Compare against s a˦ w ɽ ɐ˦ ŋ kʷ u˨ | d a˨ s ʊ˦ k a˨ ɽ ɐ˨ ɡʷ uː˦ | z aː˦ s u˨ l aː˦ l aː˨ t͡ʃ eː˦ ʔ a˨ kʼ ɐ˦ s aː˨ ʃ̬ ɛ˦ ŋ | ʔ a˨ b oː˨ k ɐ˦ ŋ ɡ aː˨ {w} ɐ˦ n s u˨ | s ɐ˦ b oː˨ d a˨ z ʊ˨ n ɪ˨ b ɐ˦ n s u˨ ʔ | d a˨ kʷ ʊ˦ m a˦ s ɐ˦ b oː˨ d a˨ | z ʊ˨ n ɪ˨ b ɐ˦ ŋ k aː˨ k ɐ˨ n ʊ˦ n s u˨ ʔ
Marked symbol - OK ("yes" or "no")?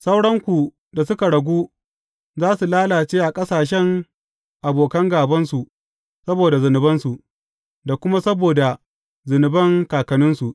no